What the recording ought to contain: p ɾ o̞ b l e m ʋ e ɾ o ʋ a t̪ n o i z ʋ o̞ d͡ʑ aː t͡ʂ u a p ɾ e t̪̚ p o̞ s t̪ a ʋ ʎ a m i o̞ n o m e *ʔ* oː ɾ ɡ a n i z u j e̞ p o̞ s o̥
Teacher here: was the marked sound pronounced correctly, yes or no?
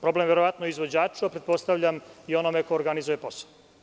no